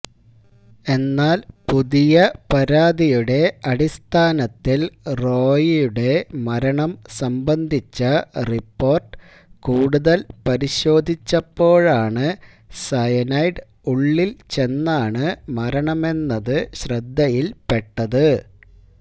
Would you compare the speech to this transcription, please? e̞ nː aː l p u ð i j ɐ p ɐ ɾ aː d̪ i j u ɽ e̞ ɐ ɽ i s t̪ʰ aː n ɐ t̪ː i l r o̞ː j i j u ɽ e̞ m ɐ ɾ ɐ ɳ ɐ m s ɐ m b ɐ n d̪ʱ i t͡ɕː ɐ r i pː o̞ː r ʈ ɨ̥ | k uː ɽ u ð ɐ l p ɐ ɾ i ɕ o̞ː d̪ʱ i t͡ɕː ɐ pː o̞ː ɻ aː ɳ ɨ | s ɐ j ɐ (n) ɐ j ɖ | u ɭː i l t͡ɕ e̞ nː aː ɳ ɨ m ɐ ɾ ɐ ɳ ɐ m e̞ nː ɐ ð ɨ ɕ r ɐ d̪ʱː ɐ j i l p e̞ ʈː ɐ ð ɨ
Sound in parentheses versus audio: correct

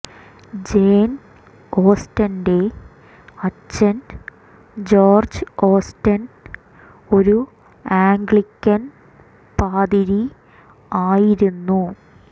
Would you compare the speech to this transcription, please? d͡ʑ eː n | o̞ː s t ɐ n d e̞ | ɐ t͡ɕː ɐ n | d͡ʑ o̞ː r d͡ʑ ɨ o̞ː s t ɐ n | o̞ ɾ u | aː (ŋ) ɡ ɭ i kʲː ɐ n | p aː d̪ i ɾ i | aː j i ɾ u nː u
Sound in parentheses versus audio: correct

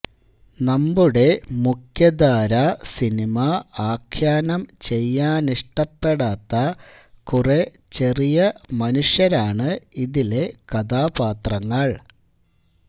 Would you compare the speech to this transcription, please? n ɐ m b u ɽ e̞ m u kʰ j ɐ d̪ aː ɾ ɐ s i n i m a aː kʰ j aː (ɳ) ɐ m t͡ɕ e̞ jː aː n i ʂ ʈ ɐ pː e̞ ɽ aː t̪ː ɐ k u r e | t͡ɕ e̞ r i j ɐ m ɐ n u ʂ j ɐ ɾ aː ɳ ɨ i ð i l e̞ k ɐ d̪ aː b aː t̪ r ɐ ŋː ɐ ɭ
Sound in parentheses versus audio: incorrect: n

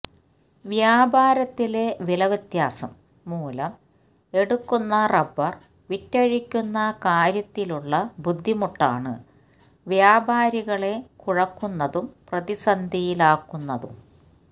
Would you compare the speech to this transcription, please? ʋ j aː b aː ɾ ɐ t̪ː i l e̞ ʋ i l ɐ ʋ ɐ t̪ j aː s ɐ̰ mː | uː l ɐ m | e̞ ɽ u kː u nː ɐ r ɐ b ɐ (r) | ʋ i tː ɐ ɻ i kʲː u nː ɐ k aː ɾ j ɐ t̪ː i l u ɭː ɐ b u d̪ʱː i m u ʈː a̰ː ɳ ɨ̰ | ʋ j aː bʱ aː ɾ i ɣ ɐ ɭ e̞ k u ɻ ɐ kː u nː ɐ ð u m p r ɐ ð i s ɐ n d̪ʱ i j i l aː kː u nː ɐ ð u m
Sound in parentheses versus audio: correct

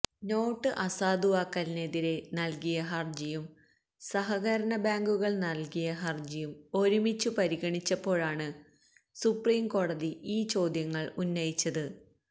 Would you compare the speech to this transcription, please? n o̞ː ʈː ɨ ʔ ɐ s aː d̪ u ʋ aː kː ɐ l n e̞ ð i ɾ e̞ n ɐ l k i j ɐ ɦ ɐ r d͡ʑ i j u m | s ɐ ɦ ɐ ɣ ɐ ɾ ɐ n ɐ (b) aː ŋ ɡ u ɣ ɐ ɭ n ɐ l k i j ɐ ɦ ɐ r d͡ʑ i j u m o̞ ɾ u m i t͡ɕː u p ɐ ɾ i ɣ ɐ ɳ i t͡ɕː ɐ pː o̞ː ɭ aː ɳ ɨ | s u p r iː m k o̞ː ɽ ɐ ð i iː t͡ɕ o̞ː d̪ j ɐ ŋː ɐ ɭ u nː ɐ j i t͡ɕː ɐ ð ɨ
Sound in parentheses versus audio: correct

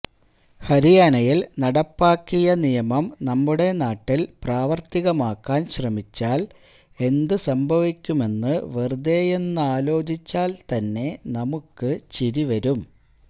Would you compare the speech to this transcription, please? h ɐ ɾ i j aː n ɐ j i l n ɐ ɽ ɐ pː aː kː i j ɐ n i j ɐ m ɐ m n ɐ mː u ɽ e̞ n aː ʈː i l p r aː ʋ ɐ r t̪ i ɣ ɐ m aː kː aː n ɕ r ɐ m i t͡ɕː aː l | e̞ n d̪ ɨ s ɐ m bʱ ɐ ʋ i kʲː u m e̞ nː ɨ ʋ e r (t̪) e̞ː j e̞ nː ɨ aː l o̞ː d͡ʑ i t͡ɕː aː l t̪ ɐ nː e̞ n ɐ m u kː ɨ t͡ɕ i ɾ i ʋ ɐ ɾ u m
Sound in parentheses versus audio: incorrect: d̪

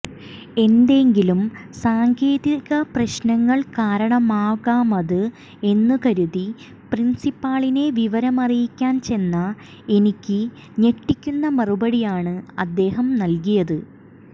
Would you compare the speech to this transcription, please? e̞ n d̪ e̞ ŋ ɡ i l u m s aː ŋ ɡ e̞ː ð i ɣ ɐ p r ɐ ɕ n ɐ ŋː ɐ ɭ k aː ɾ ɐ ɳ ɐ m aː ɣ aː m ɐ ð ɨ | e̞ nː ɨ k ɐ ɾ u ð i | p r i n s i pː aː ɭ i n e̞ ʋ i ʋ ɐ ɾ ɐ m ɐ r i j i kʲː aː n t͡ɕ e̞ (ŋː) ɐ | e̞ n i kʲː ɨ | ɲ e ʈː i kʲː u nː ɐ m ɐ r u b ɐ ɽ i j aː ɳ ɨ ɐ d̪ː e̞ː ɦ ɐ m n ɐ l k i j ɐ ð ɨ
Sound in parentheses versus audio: incorrect: nː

